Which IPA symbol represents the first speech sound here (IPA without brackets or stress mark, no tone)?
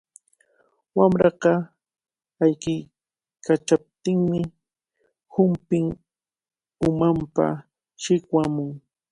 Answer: w